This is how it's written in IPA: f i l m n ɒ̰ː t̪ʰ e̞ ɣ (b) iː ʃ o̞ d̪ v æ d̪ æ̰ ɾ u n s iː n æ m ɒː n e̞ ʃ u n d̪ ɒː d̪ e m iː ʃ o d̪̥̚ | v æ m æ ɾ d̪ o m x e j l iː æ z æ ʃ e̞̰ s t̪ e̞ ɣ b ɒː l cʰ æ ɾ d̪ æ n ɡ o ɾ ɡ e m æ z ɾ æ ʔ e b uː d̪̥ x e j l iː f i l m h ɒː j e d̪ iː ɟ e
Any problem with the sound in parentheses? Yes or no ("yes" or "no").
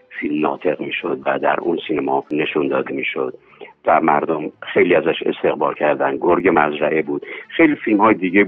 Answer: yes